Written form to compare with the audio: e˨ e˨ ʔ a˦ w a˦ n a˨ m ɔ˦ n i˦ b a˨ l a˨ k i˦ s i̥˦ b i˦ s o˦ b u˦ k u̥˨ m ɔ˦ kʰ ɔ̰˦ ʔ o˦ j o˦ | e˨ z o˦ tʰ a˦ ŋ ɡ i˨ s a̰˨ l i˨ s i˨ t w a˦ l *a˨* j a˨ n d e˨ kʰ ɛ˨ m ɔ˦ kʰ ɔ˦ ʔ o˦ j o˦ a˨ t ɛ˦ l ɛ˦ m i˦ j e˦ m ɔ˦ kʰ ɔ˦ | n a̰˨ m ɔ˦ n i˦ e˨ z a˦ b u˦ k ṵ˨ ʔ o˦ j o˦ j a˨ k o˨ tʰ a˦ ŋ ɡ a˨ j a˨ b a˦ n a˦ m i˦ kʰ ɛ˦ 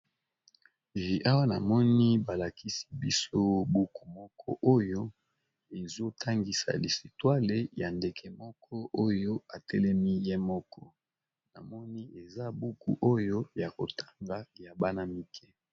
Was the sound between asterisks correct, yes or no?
no